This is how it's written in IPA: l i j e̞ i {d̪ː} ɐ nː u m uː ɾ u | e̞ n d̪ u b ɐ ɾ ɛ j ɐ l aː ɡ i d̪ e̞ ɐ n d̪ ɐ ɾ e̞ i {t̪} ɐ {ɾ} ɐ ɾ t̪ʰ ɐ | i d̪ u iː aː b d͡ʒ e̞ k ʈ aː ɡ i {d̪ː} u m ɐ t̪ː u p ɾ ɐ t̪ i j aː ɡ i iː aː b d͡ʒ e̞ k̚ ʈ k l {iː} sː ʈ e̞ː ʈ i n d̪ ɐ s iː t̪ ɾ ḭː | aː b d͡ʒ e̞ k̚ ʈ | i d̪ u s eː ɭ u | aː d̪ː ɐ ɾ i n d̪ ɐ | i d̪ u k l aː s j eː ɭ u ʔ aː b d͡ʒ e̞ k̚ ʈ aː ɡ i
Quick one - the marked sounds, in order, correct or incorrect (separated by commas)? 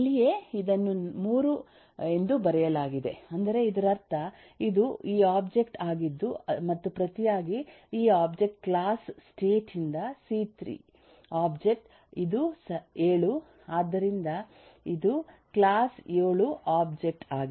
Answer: incorrect, incorrect, correct, correct, incorrect